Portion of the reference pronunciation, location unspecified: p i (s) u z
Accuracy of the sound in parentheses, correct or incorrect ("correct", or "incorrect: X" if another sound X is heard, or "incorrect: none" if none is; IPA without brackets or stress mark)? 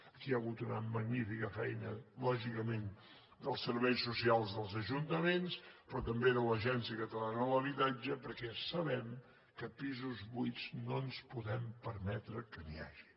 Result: incorrect: z